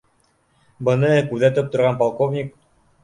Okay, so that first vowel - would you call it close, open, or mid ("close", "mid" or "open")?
mid